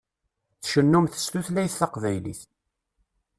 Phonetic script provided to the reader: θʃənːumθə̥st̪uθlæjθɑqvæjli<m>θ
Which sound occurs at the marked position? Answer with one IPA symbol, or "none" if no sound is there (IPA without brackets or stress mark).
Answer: none